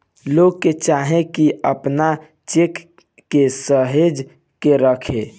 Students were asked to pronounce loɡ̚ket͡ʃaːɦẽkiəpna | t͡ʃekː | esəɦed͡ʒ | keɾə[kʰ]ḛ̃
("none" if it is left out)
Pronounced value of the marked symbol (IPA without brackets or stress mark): kʰ